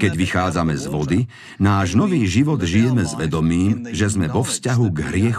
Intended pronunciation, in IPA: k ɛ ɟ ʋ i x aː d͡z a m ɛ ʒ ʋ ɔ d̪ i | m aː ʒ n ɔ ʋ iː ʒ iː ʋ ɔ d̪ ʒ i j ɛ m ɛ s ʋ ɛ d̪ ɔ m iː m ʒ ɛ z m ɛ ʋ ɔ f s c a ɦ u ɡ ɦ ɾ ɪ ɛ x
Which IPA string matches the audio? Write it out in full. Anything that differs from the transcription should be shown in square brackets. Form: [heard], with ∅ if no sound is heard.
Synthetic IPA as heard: k ɛ ɟ ʋ i x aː d͡z a m ɛ [z] ʋ ɔ d̪ i | [n] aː ʒ n ɔ ʋ iː ʒ [i] ʋ ɔ d̪ ʒ i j ɛ m ɛ [z] ʋ ɛ d̪ ɔ m iː m ʒ ɛ z m ɛ ʋ ɔ f s c a ɦ u ɡ ɦ ɾ ɪ ɛ x